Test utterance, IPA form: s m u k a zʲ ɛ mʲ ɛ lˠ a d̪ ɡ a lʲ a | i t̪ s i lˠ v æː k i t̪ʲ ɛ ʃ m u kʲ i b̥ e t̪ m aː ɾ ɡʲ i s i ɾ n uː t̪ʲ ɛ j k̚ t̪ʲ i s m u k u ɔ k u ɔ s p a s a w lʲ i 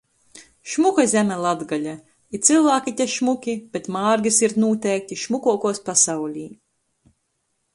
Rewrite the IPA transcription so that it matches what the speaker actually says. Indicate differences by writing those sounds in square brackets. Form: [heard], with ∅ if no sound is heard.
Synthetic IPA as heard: [ʃ] m u k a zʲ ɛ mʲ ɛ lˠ a d̪ ɡ a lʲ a | i t̪ s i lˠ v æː k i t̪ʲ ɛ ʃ m u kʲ i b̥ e t̪ m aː ɾ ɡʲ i s i ɾ n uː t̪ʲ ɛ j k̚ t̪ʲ i [ʃ] m u k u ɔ k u ɔ s p a s a w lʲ [iː]